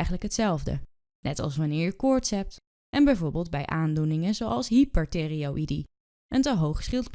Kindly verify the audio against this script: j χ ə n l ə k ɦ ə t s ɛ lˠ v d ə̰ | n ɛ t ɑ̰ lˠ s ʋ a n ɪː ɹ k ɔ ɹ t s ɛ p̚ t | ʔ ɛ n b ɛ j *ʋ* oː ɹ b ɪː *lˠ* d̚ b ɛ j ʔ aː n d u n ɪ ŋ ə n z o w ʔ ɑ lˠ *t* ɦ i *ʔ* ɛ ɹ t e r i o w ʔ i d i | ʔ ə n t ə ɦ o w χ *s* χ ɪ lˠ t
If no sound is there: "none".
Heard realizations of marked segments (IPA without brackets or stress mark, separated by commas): v, lˠ, s, p, s